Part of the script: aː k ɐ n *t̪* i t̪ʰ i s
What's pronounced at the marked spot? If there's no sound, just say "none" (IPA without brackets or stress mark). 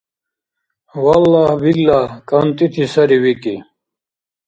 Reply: t̪